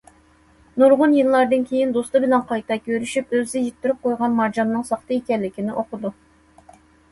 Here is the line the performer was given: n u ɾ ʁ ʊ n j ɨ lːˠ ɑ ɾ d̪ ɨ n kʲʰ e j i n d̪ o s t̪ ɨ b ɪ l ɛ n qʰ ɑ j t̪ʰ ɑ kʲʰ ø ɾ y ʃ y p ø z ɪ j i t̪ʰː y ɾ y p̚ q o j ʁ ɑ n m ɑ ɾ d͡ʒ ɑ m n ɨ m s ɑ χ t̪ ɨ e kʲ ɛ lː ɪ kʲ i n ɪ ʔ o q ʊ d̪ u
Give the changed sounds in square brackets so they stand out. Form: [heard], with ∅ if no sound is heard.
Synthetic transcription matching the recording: n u ɾ ʁ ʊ n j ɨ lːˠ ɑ ɾ d̪ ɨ n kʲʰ e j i n d̪ o s t̪ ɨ b ɪ l ɛ n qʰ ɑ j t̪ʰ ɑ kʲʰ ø ɾ y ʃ y p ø z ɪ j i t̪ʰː y ɾ y p̚ q o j ʁ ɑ n m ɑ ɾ d͡ʒ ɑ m n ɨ [ŋ] s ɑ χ t̪ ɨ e kʲ ɛ lː ɪ kʲ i n ɪ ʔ o q ʊ d̪ u